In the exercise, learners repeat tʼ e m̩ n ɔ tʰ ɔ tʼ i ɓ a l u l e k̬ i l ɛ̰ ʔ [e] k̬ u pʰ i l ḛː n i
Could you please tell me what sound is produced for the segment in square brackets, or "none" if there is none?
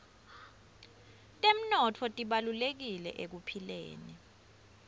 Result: e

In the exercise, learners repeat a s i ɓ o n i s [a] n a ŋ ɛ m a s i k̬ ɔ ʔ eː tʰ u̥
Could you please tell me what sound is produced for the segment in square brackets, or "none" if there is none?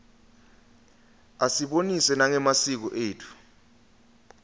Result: ɛ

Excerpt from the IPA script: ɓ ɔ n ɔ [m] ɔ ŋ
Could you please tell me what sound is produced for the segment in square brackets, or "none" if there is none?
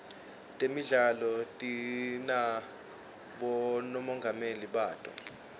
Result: m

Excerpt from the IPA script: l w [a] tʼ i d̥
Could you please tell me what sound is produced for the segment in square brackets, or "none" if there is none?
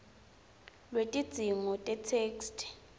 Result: e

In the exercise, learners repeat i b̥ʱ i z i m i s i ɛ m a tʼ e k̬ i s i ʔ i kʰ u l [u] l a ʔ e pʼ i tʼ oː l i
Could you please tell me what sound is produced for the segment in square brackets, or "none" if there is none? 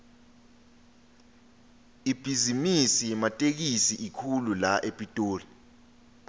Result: u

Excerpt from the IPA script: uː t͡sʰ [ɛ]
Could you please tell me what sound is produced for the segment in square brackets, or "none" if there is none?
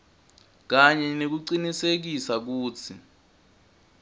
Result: i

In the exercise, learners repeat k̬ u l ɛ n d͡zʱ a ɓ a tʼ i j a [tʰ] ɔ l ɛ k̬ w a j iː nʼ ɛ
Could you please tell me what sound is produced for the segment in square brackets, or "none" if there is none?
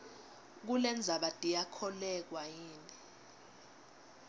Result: kʰ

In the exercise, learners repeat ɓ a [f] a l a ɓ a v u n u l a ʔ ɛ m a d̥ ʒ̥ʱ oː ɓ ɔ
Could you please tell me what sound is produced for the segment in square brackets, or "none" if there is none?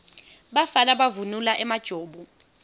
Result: f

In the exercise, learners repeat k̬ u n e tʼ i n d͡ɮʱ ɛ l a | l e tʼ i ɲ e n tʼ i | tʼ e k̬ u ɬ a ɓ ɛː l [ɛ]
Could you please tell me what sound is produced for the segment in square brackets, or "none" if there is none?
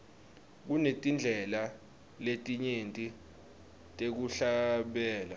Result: a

